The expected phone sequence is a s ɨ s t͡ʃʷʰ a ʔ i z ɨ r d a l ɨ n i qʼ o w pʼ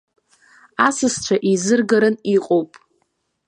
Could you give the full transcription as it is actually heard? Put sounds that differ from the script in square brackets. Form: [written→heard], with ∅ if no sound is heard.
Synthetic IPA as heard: a s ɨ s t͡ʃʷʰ a ʔ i z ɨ r [d→ɡ] a [l→ɾ] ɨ n i qʼ o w pʼ